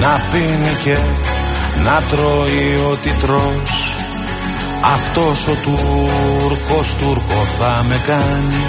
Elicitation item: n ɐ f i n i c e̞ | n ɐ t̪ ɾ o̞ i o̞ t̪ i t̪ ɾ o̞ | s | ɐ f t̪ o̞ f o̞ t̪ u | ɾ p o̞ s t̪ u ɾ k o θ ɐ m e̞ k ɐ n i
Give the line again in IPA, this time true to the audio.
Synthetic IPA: n ɐ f i n i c e̞ | n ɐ t̪ ɾ o̞ i o̞ t̪ i t̪ ɾ o̞ | s | ɐ f t̪ o̞ s o̞ t̪ u | ɾ k o̞ s t̪ u ɾ k o θ ɐ m e̞ k ɐ n i